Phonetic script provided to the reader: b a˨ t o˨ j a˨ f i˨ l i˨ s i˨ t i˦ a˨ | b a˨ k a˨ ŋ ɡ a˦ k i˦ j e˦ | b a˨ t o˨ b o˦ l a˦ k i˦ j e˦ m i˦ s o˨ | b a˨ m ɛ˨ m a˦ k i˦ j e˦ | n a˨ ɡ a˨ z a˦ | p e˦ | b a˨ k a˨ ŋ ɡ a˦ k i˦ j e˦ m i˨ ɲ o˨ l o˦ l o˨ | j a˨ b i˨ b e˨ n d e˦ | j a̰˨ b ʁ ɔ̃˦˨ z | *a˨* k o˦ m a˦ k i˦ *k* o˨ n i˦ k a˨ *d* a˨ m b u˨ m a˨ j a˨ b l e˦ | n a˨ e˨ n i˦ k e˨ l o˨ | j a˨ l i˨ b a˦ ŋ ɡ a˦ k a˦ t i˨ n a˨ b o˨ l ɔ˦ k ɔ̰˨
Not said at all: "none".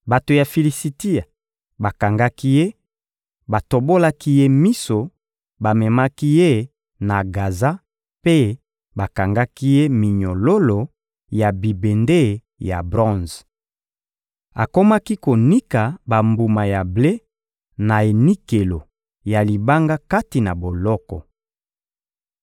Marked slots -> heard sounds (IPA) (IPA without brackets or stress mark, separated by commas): a˨, k, b